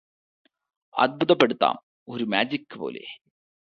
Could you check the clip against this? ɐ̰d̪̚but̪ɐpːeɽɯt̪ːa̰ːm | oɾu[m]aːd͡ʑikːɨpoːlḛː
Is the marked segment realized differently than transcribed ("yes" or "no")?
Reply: no